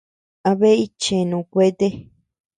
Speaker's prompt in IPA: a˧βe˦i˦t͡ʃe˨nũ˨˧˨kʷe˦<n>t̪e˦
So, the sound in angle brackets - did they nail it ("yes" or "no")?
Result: no